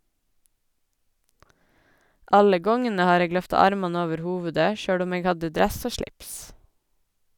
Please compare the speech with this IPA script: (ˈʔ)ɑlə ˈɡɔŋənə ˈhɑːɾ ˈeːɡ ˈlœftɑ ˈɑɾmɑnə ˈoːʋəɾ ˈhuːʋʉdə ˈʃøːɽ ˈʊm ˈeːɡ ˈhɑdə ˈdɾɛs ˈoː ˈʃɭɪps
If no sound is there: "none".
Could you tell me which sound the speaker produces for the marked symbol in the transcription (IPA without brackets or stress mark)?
ʔ